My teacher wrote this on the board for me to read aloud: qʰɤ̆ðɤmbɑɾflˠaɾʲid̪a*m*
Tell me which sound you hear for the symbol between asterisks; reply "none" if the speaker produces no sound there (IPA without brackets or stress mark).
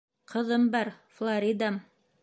m